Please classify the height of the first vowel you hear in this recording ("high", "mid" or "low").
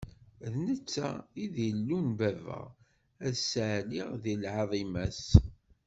mid